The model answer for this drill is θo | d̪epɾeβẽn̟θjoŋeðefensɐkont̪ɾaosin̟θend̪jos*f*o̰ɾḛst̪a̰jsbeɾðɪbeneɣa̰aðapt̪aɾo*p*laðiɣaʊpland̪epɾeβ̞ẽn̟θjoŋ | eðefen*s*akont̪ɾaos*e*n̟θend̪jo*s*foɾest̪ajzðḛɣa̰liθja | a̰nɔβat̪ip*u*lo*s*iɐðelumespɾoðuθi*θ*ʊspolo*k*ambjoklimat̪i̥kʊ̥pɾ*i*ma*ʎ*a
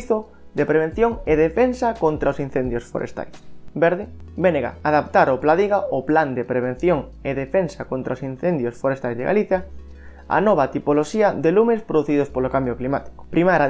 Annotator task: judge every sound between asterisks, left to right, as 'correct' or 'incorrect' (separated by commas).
correct, correct, correct, incorrect, correct, incorrect, incorrect, incorrect, correct, correct, incorrect